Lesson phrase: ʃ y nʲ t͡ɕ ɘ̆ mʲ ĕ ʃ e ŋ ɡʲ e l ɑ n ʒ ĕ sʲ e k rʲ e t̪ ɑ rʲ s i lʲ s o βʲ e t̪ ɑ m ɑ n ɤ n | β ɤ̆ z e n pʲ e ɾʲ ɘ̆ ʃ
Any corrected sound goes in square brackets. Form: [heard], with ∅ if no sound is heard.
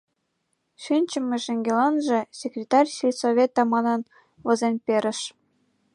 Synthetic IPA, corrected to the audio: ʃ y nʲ t͡ɕ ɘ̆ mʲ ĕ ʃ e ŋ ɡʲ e l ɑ n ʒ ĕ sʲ e k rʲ e t̪ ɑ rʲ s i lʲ s o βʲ e t̪ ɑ m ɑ n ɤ n | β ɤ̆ z e n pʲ e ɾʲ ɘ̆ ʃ